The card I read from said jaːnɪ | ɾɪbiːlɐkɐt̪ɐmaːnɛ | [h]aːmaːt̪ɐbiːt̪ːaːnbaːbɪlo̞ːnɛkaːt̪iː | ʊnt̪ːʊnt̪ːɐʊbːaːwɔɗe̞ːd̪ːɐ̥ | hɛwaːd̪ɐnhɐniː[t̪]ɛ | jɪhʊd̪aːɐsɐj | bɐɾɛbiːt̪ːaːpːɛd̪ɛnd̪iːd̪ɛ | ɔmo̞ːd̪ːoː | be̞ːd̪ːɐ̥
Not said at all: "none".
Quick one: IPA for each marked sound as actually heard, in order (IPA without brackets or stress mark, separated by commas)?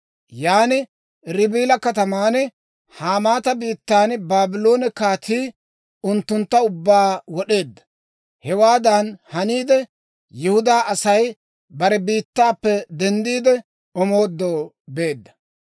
h, d̪